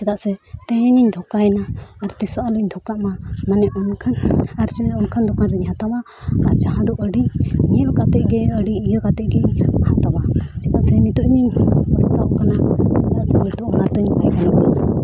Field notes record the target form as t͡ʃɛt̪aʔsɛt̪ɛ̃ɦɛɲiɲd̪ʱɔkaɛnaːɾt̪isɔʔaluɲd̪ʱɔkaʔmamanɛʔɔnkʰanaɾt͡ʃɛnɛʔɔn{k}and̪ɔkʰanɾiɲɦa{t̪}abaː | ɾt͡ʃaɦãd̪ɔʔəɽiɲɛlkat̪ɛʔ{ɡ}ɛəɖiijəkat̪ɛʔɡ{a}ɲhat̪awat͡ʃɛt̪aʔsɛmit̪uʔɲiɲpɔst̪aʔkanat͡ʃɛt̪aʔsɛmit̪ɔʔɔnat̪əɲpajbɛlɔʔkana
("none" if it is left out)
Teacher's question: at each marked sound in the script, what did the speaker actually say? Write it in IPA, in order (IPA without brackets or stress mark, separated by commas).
kʰ, t̪, ɡ, ɛ